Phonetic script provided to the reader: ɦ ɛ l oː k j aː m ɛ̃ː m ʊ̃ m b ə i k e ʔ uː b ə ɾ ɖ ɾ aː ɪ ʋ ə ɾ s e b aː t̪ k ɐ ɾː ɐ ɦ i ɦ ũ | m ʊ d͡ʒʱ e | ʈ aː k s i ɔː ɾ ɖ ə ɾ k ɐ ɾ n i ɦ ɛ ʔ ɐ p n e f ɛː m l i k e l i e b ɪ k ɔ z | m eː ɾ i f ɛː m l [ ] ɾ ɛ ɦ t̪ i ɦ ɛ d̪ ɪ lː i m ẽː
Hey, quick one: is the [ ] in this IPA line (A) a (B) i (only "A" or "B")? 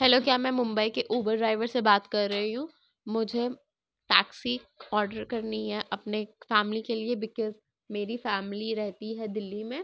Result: B